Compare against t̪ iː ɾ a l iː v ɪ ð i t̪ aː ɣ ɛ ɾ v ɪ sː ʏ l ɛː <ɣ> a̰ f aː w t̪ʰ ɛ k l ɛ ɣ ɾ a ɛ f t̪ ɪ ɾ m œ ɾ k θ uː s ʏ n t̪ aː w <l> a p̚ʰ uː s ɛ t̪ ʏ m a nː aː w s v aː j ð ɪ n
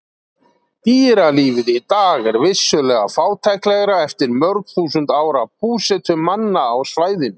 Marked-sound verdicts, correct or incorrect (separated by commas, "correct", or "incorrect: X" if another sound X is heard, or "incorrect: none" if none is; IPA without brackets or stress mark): correct, incorrect: ɾ